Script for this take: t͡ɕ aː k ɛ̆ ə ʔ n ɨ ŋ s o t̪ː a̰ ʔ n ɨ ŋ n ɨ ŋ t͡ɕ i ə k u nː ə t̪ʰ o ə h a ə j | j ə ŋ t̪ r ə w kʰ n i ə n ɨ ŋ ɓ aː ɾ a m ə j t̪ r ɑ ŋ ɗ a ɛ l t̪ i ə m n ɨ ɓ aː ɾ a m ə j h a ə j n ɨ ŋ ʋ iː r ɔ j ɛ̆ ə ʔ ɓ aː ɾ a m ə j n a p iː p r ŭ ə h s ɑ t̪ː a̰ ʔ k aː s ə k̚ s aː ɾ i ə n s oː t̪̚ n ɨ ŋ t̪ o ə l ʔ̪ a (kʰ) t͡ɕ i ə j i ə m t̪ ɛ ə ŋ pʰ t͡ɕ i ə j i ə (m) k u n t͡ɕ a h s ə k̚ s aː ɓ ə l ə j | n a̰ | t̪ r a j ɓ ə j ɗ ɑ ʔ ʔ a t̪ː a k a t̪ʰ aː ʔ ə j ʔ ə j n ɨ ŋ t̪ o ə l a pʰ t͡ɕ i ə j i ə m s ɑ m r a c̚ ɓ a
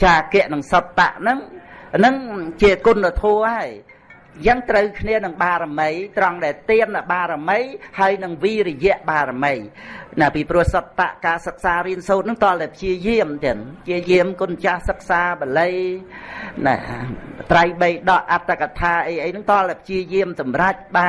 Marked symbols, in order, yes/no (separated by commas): no, yes